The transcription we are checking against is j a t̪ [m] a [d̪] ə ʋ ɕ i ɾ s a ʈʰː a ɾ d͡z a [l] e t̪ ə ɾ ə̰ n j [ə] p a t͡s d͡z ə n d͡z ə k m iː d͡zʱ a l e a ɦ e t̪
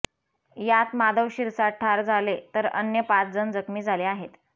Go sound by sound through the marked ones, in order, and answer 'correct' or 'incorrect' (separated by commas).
correct, correct, correct, correct